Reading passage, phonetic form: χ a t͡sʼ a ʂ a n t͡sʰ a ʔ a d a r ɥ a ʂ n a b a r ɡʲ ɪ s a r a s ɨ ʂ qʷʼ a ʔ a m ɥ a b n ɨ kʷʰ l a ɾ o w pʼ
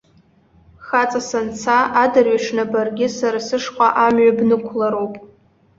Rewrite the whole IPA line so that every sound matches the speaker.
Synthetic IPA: χ a t͡sʼ a s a n t͡sʰ a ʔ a d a r ɥ a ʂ n a b a r ɡʲ ɪ s a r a s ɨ ʂ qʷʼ a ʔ a m ɥ a b n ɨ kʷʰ l a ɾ o w pʼ